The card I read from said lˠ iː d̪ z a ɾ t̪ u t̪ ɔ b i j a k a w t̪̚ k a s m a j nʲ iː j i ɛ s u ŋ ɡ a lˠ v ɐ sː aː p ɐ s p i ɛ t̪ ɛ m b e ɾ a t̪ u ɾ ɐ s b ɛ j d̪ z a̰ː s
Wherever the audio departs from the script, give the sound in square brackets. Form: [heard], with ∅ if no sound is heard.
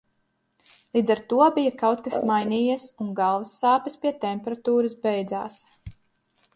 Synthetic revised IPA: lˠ iː d̪ z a ɾ t̪ u [∅] ɔ b i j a k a w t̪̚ k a s m a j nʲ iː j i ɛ s u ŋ ɡ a lˠ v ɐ sː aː p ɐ s p i ɛ t̪ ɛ m [p] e ɾ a t̪ [uː] ɾ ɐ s b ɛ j d̪ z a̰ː s